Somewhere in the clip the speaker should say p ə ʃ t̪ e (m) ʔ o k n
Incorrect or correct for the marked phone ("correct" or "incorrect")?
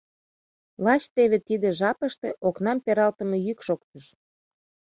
incorrect